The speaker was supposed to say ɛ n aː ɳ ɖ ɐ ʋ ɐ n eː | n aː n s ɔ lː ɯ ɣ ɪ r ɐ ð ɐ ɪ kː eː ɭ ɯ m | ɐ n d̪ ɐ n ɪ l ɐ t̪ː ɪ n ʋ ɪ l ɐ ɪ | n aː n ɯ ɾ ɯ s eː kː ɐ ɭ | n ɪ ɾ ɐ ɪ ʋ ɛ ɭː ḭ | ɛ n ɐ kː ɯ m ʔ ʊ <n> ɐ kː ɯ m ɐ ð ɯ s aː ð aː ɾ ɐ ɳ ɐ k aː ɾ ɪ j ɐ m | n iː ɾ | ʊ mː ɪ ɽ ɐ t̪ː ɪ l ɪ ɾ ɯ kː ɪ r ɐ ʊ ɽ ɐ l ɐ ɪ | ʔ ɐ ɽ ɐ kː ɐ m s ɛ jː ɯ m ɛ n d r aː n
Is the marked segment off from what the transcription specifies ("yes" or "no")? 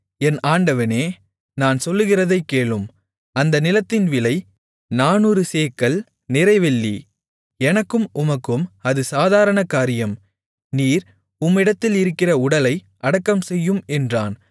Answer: yes